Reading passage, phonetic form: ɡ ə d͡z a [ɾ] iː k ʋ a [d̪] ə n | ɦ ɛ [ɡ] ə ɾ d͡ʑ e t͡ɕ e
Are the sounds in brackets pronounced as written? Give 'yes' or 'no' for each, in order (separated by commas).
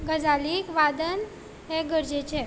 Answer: no, yes, yes